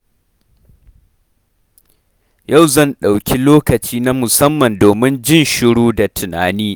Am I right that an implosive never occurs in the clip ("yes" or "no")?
no